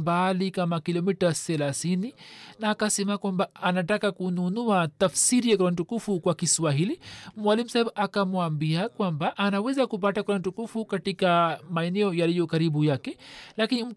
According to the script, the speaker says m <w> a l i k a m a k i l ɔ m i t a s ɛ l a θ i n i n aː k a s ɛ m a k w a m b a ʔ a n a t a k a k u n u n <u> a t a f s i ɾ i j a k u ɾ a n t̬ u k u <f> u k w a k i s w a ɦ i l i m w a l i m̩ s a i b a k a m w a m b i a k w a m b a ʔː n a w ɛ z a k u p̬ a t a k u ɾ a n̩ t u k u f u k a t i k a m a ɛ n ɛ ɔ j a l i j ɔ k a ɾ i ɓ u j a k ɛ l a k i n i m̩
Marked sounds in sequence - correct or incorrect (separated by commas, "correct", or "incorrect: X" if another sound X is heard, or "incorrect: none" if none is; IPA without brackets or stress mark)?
incorrect: b, correct, correct